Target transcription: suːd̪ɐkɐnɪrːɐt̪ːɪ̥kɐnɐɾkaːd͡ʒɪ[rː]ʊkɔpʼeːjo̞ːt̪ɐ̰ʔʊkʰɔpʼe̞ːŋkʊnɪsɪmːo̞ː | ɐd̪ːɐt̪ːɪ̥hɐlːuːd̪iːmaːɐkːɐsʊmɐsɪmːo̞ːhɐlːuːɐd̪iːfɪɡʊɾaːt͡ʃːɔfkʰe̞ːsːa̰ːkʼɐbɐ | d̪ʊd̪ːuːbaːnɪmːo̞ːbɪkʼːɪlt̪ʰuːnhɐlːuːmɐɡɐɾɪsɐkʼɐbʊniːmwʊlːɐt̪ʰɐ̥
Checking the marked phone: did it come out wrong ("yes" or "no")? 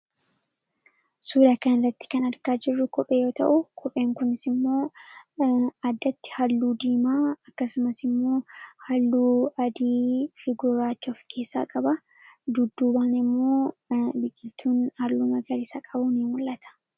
no